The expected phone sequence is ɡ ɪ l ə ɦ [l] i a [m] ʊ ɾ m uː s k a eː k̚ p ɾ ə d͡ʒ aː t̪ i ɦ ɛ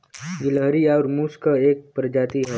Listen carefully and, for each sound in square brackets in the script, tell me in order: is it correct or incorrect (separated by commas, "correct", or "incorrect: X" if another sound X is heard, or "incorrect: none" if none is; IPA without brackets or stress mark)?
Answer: incorrect: ɾ, incorrect: none